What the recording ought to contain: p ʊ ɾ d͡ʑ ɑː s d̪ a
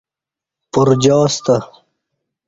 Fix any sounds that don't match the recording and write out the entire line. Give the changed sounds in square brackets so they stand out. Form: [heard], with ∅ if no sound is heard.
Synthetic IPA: p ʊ ɾ d͡ʑ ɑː s [t̪] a